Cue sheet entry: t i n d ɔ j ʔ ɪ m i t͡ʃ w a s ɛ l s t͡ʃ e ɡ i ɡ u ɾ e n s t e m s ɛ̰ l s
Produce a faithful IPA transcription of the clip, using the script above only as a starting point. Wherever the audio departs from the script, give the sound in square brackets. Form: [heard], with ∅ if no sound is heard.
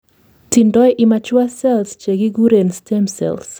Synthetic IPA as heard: t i n d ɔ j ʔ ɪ m [a] t͡ʃ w a s ɛ l s t͡ʃ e ɡ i ɡ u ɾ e n s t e m s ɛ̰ l s

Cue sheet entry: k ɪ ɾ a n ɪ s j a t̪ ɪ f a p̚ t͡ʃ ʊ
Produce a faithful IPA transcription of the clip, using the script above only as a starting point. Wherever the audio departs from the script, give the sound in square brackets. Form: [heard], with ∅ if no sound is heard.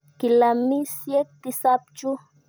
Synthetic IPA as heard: k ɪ [l] a [m] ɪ s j [e] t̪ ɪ [s] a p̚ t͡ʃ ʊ

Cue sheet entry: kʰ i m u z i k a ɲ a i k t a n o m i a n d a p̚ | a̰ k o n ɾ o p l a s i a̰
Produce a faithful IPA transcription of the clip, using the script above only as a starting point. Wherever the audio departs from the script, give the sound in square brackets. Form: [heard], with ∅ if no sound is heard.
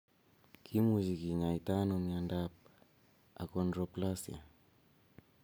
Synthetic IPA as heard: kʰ i m u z i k [i] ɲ a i [∅] t a n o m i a n d a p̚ | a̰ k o n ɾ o p l a s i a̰

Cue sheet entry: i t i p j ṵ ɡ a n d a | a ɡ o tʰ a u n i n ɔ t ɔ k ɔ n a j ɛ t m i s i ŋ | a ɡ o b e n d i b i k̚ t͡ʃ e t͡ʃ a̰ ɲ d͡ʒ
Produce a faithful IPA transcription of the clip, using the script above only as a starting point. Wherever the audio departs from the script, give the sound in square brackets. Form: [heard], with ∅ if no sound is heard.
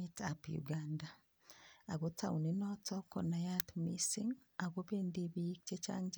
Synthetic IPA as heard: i t [a] p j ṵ ɡ a n d a | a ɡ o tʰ a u n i n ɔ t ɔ k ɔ n a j [a] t m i s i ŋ | a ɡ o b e n d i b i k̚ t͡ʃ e t͡ʃ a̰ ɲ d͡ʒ

